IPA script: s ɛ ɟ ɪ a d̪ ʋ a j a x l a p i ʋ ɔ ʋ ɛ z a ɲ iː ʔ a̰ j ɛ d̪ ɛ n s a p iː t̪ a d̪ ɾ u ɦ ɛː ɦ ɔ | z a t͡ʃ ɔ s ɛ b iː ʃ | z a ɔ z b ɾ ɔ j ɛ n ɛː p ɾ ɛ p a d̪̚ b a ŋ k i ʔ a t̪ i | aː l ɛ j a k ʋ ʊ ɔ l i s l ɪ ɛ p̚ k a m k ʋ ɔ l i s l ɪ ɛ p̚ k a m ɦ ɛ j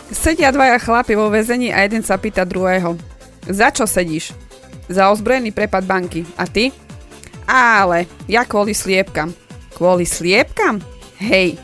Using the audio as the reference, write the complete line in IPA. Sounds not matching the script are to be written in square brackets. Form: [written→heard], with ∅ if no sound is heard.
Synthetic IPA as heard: s ɛ ɟ ɪ a d̪ ʋ a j a x l a p i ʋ ɔ ʋ ɛ z [a→ɛ] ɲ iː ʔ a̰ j ɛ d̪ ɛ n s a p iː t̪ a d̪ ɾ u ɦ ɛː ɦ ɔ | z a t͡ʃ ɔ s ɛ [b→ɟ] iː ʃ | z a ɔ z b ɾ ɔ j ɛ n [ɛː→iː] p ɾ ɛ p a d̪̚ b a ŋ k i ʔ a t̪ i | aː l ɛ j a k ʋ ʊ ɔ l i s l ɪ ɛ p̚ k a m k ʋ ɔ l i s l ɪ ɛ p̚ k a m ɦ ɛ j